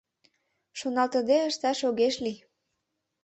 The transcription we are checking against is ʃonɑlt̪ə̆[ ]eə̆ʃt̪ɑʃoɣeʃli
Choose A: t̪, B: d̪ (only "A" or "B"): B